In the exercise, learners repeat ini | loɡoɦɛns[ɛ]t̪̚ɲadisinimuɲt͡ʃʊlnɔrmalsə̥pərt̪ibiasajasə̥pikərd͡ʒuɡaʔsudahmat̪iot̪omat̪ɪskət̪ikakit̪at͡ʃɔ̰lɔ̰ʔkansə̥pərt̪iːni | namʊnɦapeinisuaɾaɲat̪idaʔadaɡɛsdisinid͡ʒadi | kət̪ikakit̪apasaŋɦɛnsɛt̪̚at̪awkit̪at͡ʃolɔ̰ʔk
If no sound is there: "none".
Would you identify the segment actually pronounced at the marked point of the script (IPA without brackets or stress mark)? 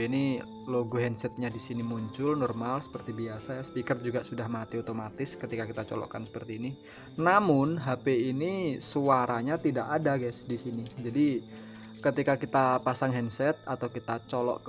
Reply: ɛ